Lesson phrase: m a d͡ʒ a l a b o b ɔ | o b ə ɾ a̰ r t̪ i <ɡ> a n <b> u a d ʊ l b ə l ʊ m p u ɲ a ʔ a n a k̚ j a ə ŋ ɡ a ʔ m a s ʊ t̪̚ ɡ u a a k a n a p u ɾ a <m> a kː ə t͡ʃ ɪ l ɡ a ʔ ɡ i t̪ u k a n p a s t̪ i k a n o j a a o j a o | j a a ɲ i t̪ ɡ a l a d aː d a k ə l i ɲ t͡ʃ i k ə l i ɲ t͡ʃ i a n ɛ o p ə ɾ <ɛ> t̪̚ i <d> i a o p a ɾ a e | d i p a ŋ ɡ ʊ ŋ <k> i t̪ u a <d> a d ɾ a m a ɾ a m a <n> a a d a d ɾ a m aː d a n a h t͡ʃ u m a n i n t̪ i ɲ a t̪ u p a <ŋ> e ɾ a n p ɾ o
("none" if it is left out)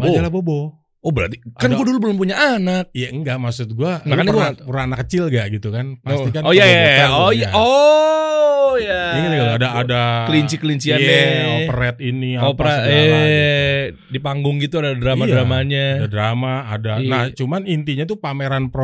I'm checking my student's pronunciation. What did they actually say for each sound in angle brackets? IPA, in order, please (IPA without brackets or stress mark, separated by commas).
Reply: k, ɡ, n, ɛ, n, ɡ, d, ɲ, m